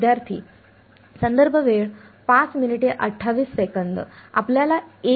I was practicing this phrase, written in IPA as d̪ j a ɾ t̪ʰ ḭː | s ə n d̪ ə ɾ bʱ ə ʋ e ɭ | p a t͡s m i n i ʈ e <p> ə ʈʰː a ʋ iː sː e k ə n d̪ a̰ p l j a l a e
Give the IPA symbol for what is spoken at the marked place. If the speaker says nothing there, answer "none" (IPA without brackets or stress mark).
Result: ʔ